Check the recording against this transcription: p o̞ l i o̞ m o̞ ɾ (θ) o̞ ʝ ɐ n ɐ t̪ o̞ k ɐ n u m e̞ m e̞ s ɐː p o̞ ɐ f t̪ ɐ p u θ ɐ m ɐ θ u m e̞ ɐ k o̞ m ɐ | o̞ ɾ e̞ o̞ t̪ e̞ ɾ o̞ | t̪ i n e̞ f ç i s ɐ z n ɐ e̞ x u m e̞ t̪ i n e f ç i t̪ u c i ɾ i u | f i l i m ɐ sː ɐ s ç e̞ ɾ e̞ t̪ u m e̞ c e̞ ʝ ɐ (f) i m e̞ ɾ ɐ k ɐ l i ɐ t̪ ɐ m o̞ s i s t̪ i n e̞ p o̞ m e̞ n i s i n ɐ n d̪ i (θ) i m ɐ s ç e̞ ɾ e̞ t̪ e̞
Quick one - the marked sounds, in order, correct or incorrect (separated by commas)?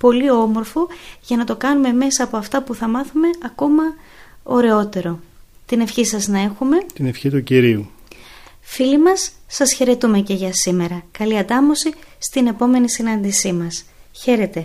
incorrect, incorrect, incorrect